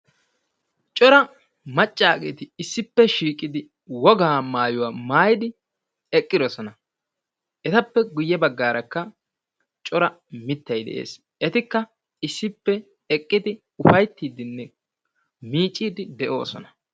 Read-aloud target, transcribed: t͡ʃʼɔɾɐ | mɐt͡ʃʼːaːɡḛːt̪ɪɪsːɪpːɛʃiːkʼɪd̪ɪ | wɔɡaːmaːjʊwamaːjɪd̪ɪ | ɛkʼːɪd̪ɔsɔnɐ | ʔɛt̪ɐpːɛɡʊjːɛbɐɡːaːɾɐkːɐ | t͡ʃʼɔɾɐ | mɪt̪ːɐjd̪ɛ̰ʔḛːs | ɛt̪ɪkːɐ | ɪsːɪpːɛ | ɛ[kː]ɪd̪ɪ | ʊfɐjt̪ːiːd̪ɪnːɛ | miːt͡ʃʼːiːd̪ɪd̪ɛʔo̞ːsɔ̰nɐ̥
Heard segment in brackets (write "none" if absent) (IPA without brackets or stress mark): kʼː